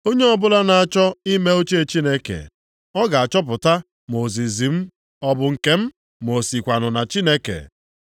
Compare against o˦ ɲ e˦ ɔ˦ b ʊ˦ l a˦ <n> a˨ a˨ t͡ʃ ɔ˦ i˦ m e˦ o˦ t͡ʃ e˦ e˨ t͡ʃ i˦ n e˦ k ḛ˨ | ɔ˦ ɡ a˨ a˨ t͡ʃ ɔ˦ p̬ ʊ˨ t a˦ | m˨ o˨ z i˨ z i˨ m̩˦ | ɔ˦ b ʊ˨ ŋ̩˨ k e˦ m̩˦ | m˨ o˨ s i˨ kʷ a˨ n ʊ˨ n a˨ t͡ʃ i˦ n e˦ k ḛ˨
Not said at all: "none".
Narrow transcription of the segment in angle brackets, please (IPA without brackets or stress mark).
n